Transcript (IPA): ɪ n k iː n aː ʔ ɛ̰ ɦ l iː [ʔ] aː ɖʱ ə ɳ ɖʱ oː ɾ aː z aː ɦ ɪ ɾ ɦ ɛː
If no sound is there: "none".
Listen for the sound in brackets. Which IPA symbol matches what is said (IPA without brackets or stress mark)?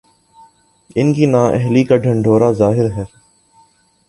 k